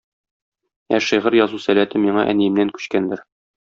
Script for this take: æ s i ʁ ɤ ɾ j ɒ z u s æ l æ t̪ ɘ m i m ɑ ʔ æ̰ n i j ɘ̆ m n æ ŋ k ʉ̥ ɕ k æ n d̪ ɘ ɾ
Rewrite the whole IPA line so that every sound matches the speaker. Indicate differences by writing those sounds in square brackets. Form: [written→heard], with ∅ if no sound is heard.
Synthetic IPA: æ [s→ʃ] i ʁ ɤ ɾ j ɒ z u s æ l æ t̪ ɘ m i [m→ɴ] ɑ ʔ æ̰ n i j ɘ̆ m n æ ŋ k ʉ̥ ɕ k æ n d̪ ɘ ɾ